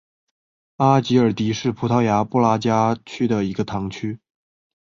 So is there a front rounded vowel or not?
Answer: yes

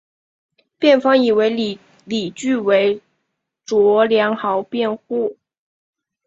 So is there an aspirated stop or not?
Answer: no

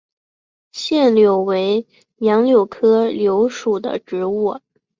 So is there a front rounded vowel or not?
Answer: no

